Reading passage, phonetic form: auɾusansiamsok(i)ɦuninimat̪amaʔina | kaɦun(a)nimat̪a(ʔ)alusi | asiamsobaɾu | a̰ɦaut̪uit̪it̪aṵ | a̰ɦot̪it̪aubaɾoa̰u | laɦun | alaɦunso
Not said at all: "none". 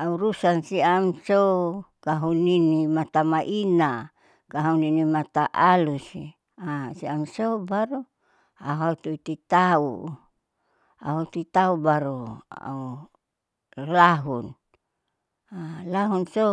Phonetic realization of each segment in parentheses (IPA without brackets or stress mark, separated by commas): a, i, ʔ